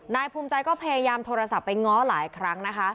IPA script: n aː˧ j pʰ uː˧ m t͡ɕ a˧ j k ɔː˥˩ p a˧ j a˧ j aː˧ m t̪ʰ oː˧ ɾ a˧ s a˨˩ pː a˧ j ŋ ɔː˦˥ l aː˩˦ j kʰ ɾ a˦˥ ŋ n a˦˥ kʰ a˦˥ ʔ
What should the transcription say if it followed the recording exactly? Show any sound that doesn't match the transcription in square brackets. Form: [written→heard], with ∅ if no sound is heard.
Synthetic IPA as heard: n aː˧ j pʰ uː˧ m t͡ɕ a˧ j k ɔː˥˩ [p→pʰ] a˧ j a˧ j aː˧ m t̪ʰ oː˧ ɾ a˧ s a˨˩ pː a˧ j ŋ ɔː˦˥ l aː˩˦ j kʰ ɾ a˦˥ ŋ n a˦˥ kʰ a˦˥ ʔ